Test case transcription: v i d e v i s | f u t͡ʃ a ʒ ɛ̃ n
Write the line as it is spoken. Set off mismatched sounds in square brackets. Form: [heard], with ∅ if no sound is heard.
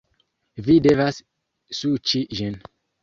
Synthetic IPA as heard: v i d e v [a] s | [s] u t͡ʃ [i] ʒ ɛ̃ n